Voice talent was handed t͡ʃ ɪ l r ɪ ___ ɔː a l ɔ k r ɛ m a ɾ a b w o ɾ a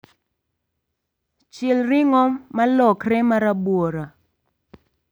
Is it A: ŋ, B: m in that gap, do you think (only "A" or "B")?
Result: A